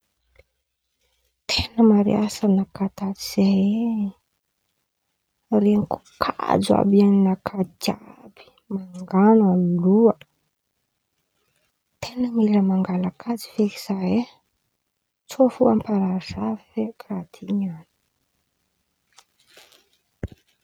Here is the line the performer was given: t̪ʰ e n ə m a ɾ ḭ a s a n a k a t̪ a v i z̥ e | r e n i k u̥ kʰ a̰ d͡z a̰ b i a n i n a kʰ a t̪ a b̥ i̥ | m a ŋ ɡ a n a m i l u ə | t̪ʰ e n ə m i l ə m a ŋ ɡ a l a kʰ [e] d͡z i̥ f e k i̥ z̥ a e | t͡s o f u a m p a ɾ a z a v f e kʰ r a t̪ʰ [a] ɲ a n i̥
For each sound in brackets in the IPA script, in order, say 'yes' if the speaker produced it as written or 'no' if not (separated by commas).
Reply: no, no